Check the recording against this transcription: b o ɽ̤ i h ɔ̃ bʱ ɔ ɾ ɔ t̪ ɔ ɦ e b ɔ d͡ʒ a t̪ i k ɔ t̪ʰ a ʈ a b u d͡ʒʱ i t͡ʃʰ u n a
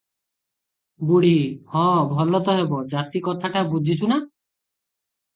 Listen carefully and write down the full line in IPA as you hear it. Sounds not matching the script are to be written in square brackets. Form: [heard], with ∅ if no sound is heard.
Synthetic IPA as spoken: b [u] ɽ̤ i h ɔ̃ bʱ ɔ [l] ɔ t̪ ɔ ɦ e b ɔ d͡ʒ a t̪ i k ɔ t̪ʰ a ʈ a b u d͡ʒʱ i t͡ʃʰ u n a